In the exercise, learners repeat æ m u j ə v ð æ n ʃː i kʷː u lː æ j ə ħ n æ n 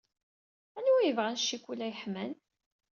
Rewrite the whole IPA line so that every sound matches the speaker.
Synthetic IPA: æ n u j ə v ʁ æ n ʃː i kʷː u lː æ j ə ħ m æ n